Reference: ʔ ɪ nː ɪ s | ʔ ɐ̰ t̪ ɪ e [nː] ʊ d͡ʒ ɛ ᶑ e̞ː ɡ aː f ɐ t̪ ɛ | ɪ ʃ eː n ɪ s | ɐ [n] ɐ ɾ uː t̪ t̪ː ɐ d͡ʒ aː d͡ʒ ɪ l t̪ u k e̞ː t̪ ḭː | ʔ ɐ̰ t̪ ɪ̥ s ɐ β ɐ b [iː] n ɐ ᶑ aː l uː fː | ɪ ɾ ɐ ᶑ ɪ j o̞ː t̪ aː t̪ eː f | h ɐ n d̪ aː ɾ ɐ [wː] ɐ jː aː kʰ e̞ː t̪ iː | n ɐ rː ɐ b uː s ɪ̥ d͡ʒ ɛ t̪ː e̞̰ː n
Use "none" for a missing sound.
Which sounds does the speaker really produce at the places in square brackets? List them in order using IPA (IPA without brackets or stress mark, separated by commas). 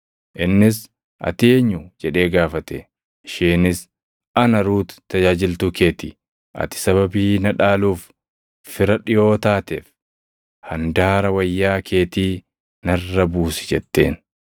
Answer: ɲː, n, iː, w